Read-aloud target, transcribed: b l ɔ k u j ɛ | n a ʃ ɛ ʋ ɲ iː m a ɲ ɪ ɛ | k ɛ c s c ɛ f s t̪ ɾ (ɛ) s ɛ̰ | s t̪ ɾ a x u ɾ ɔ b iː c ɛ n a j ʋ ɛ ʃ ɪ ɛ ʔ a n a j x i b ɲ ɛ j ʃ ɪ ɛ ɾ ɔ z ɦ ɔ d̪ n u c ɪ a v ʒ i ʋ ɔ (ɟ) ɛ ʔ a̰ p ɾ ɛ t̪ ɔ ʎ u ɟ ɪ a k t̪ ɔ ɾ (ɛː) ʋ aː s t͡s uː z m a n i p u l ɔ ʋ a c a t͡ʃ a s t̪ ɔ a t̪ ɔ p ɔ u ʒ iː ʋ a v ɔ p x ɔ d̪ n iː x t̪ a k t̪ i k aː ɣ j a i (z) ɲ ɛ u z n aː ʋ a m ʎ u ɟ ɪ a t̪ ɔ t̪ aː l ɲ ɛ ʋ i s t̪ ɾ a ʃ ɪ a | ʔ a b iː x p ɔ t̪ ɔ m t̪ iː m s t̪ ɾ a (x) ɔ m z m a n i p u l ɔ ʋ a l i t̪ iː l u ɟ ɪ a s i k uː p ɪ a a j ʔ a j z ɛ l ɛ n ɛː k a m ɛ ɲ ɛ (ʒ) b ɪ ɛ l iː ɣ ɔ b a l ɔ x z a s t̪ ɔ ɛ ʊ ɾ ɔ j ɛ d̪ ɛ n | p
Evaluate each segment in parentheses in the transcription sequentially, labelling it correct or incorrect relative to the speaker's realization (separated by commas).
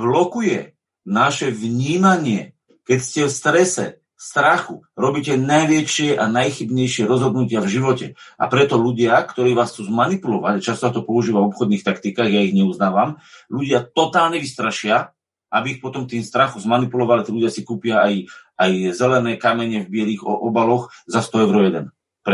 correct, incorrect, incorrect, incorrect, correct, incorrect